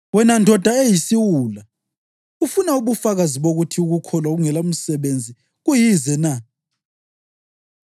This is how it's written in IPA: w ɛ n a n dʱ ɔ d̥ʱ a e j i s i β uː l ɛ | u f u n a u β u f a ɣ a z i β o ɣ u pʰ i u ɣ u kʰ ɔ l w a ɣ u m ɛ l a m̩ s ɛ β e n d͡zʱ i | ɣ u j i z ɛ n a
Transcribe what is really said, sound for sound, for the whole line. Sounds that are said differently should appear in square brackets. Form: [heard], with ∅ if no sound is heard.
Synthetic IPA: w ɛ n a n dʱ ɔ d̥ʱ a e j i s i [w] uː l [a] | u f u n a u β u f a ɣ a z i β o ɣ u [tʰ] i u ɣ u kʰ ɔ l w a ɣ u [ŋ] ɛ l a m̩ s ɛ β e n d͡zʱ i | ɣ u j i z ɛ n a